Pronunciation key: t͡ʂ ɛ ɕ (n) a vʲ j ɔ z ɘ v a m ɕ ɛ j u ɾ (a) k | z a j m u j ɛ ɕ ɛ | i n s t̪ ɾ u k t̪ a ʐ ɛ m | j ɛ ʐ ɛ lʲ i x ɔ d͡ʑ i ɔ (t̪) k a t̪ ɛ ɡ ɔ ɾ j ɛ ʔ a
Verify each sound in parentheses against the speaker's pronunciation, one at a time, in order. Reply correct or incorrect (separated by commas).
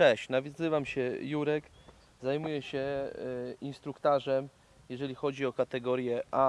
correct, incorrect, incorrect